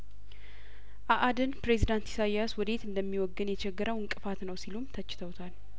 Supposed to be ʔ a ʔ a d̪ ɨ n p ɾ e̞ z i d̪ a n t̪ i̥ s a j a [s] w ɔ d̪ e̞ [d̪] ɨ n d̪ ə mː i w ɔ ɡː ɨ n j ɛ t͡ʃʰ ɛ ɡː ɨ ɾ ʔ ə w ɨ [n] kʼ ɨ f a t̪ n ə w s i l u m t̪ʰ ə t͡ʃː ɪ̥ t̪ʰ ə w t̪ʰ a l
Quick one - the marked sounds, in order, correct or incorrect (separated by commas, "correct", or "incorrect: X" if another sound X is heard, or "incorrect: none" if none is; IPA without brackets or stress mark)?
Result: correct, incorrect: t̪, incorrect: ŋ